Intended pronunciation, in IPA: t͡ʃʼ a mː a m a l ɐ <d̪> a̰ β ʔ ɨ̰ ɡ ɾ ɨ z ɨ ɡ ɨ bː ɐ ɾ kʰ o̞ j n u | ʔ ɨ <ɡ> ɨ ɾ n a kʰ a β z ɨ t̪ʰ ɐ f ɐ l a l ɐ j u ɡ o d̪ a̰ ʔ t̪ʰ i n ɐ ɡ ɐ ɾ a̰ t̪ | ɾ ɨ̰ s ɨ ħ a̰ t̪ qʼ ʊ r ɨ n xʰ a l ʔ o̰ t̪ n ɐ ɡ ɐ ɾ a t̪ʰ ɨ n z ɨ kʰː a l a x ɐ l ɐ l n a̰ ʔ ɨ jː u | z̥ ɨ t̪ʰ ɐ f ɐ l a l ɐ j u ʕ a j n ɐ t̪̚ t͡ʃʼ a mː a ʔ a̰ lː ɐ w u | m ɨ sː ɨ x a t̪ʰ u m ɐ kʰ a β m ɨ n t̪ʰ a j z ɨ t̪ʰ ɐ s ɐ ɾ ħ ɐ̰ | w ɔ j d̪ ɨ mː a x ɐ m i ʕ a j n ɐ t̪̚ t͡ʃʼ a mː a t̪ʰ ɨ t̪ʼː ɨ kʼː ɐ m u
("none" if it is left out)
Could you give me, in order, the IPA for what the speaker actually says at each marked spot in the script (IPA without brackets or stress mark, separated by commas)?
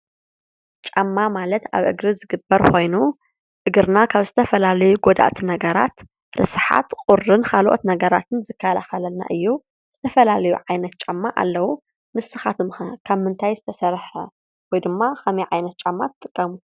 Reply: t̪, ɡ